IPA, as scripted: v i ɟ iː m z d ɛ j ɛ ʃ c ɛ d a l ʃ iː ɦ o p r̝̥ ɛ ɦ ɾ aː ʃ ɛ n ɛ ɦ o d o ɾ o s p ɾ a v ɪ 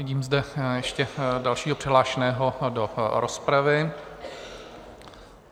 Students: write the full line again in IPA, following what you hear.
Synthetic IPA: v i ɟ iː m z d ɛ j ɛ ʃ c ɛ d a l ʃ iː ɦ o p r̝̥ ɛ ɦ l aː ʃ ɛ n ɛː ɦ o d o ɾ o s p ɾ a v ɪ